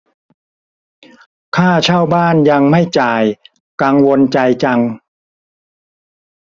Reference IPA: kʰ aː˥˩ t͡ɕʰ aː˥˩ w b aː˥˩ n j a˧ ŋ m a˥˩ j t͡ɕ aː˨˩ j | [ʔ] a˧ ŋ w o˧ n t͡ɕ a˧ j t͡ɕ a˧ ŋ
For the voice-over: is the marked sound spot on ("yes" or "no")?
no